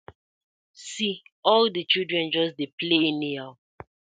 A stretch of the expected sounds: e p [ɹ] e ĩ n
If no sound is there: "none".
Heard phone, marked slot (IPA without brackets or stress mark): l